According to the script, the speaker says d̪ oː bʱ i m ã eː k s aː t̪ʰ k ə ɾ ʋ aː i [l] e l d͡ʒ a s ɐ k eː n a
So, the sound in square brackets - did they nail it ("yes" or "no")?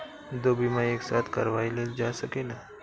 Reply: yes